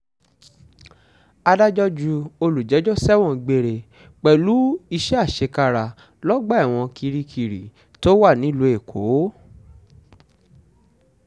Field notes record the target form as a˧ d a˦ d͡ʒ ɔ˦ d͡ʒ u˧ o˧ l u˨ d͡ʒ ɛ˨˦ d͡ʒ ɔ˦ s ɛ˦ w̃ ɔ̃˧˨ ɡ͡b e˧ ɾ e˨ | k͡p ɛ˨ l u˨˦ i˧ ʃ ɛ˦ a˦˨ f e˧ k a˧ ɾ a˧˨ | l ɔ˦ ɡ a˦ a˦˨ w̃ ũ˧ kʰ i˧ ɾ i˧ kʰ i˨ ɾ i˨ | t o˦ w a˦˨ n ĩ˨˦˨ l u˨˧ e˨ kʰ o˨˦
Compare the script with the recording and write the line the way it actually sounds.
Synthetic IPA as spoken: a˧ d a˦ d͡ʒ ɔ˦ d͡ʒ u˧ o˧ l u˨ d͡ʒ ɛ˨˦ d͡ʒ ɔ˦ s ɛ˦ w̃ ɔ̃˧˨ ɡ͡b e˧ ɾ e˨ | k͡p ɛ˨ l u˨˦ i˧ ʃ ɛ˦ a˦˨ ʃ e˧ k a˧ ɾ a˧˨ | l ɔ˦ ɡ͡b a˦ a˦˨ w̃ ɔ̃˧ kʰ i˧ ɾ i˧ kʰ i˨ ɾ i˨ | t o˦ w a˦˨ n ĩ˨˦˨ l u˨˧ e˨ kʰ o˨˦